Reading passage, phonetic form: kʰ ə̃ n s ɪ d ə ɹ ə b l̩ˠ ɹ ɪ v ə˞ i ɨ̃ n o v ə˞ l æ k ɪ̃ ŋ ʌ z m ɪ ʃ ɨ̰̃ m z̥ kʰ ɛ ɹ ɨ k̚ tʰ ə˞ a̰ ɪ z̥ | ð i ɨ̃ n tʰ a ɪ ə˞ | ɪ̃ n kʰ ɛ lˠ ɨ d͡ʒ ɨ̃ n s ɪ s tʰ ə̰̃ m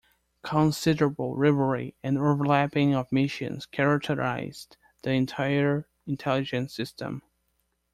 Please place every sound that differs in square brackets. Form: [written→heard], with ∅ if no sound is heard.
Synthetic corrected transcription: kʰ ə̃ n s ɪ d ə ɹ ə b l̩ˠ ɹ ɪ v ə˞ i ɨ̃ n o v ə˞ l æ [k→p] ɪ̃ ŋ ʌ [z→v] m ɪ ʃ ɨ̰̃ [m→n] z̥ kʰ ɛ ɹ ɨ k̚ tʰ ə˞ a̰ ɪ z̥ | ð i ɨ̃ n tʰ a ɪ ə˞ | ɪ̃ n [kʰ→tʰ] ɛ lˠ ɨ d͡ʒ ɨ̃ n s ɪ s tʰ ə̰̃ m

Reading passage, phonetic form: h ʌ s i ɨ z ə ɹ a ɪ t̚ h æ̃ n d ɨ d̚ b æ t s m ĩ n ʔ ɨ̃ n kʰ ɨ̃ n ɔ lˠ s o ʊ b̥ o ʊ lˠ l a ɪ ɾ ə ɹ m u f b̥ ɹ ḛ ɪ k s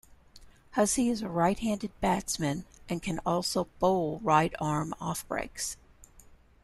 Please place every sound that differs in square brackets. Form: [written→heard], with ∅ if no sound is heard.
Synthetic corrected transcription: h ʌ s i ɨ z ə ɹ a ɪ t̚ h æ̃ n d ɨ d̚ b æ t s m [ĩ→ɨ̃] n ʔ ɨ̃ n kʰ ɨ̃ n ɔ lˠ s o ʊ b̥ o ʊ lˠ [l→ɹ] a ɪ ɾ [ə→ɑ] ɹ m [u→ɔ] f b̥ ɹ ḛ ɪ k s

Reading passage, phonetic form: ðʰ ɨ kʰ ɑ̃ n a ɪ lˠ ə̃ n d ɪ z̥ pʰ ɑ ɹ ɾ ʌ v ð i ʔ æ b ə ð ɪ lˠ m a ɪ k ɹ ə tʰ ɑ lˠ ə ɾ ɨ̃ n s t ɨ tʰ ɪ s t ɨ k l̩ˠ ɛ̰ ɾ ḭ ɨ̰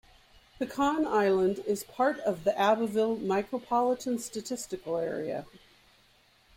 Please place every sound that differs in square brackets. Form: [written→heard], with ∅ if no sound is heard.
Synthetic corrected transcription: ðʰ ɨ kʰ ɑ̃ n a ɪ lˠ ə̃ n d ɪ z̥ pʰ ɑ ɹ ɾ ʌ v ð i ʔ æ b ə [ð→v] ɪ lˠ m a ɪ k ɹ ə [tʰ→pʰ] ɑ lˠ ə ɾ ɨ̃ n s t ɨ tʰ ɪ s t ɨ k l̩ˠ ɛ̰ [ɾ→ɹ] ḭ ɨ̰

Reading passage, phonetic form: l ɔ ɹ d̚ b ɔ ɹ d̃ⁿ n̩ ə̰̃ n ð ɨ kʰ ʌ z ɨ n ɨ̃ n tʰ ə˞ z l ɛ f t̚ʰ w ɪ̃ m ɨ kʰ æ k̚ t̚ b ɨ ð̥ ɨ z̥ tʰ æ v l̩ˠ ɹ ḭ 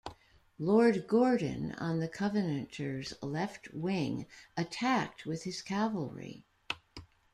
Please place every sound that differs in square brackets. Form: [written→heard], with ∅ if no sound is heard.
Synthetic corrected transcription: l ɔ ɹ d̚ [b→ɡ] ɔ ɹ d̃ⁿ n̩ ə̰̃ n ð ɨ kʰ ʌ [z→v] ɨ n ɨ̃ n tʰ ə˞ z l ɛ f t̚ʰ w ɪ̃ [m→ŋ] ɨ [kʰ→tʰ] æ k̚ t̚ [b→w] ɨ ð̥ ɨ z̥ [tʰ→kʰ] æ v l̩ˠ ɹ ḭ

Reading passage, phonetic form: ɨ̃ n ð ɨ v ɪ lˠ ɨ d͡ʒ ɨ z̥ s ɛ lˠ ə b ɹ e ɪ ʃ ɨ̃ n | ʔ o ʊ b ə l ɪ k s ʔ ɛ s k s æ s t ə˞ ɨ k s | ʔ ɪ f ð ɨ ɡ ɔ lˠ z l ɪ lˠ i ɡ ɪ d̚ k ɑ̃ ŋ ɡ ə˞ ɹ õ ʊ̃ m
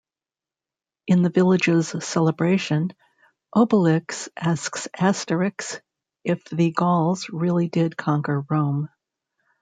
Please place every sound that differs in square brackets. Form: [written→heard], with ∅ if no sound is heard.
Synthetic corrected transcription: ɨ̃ n ð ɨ v ɪ lˠ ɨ d͡ʒ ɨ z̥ s ɛ lˠ ə b ɹ e ɪ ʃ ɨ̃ n | ʔ o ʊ b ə l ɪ k s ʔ [ɛ→æ] s k s æ s t ə˞ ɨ k s | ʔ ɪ f ð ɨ ɡ ɔ lˠ z [l→ɹ] ɪ lˠ i [ɡ→d] ɪ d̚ [k→kʰ] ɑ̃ ŋ [ɡ→k] ə˞ ɹ õ ʊ̃ m

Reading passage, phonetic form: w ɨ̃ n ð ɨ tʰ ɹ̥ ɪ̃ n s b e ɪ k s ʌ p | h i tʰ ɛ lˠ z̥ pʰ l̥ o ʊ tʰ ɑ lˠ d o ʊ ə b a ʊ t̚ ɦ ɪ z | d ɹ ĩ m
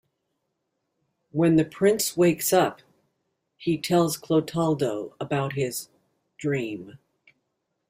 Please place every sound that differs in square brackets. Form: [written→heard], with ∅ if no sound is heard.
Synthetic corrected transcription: w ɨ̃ n ð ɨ [tʰ→pʰ] ɹ̥ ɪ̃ n s [b→w] e ɪ k s ʌ p | h i tʰ ɛ lˠ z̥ [pʰ→kʰ] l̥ o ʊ tʰ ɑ lˠ d o ʊ ə b a ʊ t̚ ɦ ɪ z | d ɹ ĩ m

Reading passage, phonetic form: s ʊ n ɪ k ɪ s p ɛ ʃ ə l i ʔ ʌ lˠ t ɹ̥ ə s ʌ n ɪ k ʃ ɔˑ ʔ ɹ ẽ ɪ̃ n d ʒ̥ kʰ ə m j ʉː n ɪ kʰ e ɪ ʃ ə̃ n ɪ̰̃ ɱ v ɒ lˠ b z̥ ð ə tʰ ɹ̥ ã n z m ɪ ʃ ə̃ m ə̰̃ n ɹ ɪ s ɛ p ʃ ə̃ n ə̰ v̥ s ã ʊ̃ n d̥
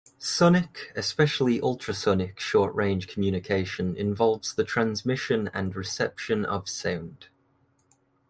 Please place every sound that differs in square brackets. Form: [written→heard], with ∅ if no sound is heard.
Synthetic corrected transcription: s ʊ n ɪ k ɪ s p ɛ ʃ ə l i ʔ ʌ lˠ t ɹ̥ ə s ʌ n ɪ k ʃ ɔˑ ʔ ɹ ẽ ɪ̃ n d ʒ̥ kʰ ə m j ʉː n ɪ kʰ e ɪ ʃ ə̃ n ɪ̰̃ ɱ v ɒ lˠ [b→v] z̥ ð ə tʰ ɹ̥ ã n z m ɪ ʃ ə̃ [m→n] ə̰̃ n ɹ ɪ s ɛ p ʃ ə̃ n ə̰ v̥ s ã ʊ̃ n d̥

